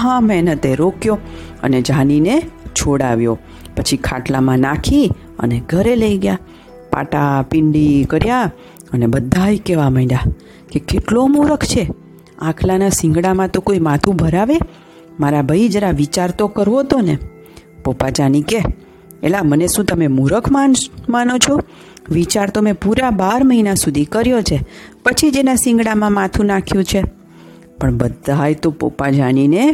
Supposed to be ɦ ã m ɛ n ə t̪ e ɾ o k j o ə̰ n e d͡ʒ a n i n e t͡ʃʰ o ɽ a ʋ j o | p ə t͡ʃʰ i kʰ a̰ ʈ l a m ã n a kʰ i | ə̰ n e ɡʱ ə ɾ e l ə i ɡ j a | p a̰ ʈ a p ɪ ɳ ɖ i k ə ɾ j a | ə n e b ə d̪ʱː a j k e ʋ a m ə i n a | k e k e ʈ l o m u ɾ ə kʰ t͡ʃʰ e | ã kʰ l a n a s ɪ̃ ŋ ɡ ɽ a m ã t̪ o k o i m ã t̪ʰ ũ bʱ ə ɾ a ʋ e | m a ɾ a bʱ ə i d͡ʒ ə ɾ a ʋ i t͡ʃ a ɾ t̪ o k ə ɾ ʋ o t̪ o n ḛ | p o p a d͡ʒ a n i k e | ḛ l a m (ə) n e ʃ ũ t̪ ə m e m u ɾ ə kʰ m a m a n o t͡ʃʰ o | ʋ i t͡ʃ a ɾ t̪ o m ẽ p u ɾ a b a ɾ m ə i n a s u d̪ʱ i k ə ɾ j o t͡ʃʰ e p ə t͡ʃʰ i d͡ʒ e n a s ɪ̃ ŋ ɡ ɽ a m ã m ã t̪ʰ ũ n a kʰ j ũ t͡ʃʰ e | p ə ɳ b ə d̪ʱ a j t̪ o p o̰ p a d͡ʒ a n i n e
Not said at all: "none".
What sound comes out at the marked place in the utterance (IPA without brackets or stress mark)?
ə